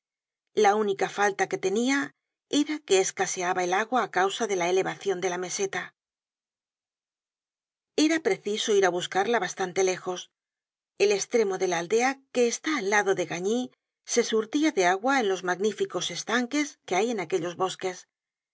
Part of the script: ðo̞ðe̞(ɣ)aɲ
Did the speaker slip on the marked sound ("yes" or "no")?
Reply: no